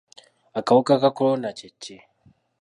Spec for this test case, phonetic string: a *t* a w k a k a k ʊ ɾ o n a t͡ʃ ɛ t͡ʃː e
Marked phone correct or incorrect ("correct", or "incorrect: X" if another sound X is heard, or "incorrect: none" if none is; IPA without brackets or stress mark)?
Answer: incorrect: k